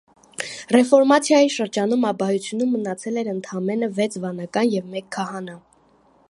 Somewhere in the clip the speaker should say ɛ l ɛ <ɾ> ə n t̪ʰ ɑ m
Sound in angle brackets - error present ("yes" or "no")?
no